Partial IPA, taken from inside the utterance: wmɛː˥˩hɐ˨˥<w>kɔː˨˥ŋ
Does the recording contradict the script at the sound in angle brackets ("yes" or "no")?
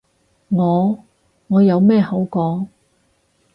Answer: no